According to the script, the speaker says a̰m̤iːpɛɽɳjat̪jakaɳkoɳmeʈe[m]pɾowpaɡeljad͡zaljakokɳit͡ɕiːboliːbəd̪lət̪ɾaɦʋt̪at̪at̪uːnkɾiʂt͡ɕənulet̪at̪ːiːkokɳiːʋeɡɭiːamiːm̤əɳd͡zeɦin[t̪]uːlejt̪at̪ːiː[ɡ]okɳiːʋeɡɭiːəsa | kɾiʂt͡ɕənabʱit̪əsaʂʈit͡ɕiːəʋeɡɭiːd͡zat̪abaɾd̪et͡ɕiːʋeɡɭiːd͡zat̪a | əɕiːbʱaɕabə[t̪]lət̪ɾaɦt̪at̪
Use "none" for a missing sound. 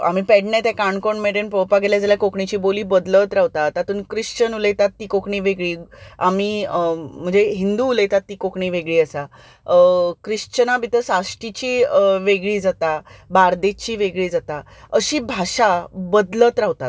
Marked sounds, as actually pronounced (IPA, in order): n, d̪, k, d̪

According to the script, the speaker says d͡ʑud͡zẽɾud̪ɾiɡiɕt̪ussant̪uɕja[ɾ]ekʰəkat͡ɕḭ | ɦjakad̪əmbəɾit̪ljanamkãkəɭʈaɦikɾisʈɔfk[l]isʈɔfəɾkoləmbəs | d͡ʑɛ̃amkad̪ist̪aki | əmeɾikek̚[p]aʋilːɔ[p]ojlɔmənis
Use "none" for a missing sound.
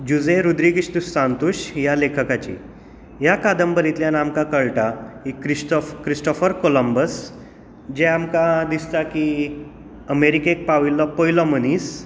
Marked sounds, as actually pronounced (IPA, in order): l, ɾ, p, p

